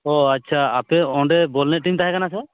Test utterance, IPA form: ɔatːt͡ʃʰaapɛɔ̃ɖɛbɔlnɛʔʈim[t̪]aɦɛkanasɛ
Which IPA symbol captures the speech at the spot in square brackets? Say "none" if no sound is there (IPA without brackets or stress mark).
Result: t̪